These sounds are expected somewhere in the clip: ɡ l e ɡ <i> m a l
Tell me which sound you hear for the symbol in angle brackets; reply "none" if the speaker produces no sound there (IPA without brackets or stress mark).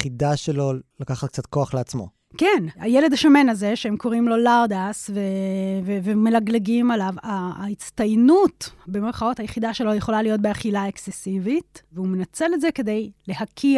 i